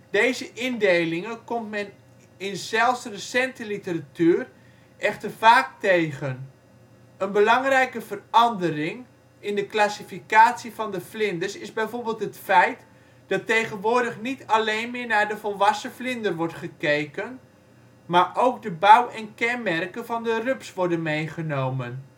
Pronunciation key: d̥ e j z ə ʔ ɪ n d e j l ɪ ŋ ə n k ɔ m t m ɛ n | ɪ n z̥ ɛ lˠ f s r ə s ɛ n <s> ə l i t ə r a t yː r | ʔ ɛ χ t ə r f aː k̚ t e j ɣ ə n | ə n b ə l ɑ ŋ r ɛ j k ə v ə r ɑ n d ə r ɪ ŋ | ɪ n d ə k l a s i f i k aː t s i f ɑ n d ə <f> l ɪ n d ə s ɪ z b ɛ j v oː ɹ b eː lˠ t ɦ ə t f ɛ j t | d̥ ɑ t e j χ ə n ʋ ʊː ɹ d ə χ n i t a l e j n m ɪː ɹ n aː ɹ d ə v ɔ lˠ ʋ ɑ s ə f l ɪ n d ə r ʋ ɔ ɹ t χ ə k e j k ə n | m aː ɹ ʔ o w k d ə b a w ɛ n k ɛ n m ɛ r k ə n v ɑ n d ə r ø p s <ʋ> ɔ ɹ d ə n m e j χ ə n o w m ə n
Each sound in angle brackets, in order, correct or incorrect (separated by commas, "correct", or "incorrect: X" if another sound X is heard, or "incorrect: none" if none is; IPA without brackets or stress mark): incorrect: t, correct, correct